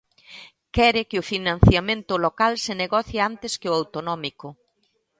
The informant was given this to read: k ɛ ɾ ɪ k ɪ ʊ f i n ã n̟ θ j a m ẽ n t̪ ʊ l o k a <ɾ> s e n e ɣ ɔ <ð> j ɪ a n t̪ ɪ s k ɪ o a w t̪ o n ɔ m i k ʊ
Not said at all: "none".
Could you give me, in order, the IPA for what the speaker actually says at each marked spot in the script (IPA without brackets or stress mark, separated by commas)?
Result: l, θ